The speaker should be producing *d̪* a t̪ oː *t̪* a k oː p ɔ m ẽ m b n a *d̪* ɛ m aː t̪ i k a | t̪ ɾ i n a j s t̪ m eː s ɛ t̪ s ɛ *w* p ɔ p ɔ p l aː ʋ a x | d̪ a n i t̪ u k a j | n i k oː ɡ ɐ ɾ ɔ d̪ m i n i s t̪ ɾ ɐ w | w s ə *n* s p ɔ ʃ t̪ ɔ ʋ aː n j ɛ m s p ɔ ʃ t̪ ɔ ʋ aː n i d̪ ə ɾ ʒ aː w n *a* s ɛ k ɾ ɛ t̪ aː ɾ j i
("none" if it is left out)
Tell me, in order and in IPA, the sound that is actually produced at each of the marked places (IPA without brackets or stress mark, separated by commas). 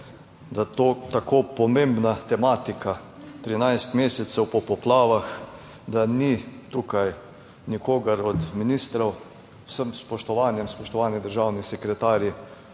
d̪, t̪, t̪, w, m, i